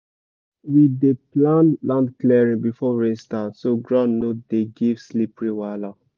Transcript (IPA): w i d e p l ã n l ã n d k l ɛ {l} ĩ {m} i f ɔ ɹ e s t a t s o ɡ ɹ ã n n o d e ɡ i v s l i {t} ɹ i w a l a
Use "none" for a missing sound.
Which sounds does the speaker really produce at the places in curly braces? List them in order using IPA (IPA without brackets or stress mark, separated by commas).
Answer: ɹ, b, p